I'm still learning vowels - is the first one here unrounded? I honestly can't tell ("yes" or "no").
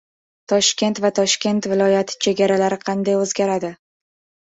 no